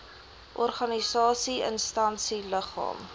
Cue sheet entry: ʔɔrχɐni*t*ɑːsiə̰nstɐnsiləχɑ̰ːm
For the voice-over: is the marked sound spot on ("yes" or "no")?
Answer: no